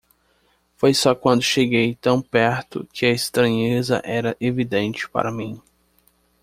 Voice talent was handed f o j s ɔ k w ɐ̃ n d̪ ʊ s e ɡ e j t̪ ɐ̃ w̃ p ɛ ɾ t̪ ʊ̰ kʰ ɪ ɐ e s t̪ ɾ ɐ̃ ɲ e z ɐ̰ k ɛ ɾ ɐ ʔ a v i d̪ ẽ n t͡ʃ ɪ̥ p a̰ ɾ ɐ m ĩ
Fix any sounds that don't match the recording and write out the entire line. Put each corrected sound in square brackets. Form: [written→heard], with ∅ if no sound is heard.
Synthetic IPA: f o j s ɔ k w ɐ̃ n d̪ ʊ [s→ʃ] e ɡ e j t̪ ɐ̃ w̃ p ɛ ɾ t̪ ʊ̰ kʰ ɪ ɐ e s t̪ ɾ ɐ̃ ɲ e z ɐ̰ [k→ʔ] ɛ ɾ ɐ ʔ [a→e] v i d̪ ẽ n t͡ʃ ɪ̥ p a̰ ɾ ɐ m ĩ

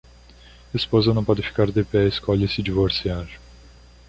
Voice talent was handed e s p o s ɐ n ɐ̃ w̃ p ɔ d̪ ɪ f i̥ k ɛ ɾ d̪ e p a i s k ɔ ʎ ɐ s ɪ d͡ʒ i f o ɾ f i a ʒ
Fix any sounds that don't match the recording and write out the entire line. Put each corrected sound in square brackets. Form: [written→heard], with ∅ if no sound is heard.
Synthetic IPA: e s p o [s→z] ɐ n ɐ̃ w̃ p ɔ d̪ ɪ f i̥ k [ɛ→a] ɾ d̪ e p [a→ɛ] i s k ɔ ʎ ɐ s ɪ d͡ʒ i [f→v] o ɾ [f→s] i a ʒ

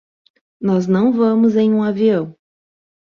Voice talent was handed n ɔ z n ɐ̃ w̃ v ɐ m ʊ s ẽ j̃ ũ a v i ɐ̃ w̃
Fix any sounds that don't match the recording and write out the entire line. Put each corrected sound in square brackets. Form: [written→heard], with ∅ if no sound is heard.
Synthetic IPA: n ɔ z n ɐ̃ w̃ v [ɐ→ɐ̃] m ʊ [s→z] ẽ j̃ ũ a v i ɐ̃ w̃

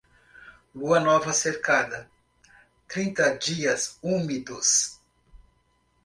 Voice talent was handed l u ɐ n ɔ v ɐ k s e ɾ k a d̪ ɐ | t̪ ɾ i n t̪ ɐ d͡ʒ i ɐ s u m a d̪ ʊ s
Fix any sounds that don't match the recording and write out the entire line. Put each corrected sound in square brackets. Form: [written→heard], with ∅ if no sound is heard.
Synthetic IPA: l u ɐ n ɔ v ɐ [k→∅] s e ɾ k a d̪ ɐ | t̪ ɾ [i→ĩ] n t̪ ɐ d͡ʒ i ɐ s u m [a→i] d̪ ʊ s

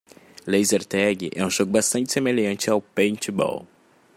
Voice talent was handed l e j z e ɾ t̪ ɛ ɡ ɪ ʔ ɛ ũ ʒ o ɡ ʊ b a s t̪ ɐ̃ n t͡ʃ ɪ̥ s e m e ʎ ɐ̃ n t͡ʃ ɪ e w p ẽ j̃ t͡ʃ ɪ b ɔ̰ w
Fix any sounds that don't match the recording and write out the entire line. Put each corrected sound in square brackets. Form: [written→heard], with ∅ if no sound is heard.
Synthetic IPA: l e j z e ɾ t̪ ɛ ɡ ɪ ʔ ɛ ũ ʒ o ɡ ʊ b a s t̪ ɐ̃ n t͡ʃ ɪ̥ s e m e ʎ ɐ̃ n t͡ʃ ɪ [e→a] w p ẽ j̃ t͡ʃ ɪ b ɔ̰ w

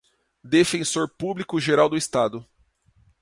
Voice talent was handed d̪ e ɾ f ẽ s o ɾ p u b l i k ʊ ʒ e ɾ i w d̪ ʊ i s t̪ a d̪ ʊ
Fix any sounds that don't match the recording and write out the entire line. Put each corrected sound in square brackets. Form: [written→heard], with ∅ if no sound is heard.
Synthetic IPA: d̪ e [ɾ→∅] f ẽ s o ɾ p u b l i k ʊ ʒ e ɾ [i→a] w d̪ ʊ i s t̪ a d̪ ʊ

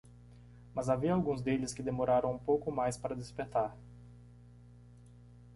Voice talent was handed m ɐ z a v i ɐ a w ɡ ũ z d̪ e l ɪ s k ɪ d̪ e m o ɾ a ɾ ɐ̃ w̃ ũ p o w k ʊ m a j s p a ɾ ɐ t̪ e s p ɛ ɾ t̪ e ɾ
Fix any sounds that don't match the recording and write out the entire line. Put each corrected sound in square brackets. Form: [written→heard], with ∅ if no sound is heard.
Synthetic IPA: m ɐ z a v i ɐ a w ɡ ũ z d̪ e l ɪ s k ɪ d̪ e m o ɾ a ɾ ɐ̃ w̃ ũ p o w k ʊ m a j s p a ɾ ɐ [t̪→d̪] e s p [ɛ→e] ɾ t̪ [e→a] ɾ

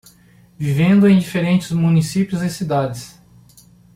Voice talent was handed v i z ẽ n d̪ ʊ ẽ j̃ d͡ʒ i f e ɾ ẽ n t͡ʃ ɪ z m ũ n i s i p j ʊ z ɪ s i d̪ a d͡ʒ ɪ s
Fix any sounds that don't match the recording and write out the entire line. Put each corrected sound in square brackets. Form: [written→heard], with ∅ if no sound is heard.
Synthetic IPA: v i [z→v] ẽ n d̪ ʊ ẽ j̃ d͡ʒ i f e ɾ ẽ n t͡ʃ ɪ z m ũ n i s i p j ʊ z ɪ s i d̪ a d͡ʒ ɪ s

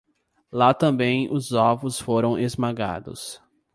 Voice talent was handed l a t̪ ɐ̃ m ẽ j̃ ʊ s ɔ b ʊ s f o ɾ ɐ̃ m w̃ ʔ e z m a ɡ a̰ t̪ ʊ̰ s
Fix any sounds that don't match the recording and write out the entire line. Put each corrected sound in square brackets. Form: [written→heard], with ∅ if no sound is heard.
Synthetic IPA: l a t̪ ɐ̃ [m→b] ẽ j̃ ʊ [s→z] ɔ [b→v] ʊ s f o ɾ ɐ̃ [m→∅] w̃ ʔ e z m a ɡ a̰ [t̪→d̪] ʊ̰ s

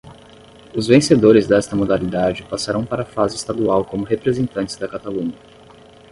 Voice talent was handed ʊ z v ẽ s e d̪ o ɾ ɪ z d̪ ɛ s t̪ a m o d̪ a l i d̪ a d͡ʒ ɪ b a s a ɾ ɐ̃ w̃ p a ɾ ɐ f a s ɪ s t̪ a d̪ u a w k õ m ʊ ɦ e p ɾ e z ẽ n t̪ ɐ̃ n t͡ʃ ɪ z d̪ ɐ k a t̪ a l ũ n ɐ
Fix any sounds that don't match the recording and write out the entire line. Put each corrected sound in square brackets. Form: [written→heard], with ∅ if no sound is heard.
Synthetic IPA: ʊ z v ẽ s e d̪ o ɾ ɪ z d̪ ɛ s t̪ [a→ɐ] m o d̪ a l i d̪ a d͡ʒ ɪ [b→p] a s a ɾ ɐ̃ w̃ p a ɾ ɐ f a [s→z] ɪ s t̪ a d̪ u a w k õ m ʊ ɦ e p ɾ e z ẽ n t̪ ɐ̃ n t͡ʃ ɪ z d̪ ɐ k a t̪ a l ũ [n→ɲ] ɐ

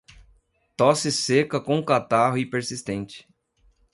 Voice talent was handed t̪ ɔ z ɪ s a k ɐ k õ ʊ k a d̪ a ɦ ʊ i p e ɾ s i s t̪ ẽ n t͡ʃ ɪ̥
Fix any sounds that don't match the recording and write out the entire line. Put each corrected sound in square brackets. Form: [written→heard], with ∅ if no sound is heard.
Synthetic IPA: t̪ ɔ [z→s] ɪ s [a→e] k ɐ k õ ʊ k a [d̪→t̪] a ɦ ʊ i p e ɾ s i s t̪ ẽ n t͡ʃ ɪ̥

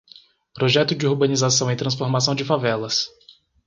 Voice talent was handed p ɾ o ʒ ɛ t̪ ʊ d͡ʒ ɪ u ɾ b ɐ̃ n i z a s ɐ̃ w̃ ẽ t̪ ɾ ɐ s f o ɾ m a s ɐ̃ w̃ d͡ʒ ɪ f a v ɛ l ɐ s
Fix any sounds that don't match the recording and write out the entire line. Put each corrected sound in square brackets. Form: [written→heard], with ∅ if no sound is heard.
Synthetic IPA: p ɾ o ʒ ɛ t̪ ʊ d͡ʒ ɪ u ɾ b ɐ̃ n i z a s ɐ̃ w̃ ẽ t̪ ɾ [ɐ→ɐ̃] s f o ɾ m a s ɐ̃ w̃ d͡ʒ ɪ f a v ɛ l ɐ s

